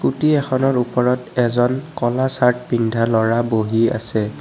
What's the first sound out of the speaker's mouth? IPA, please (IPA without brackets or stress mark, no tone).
k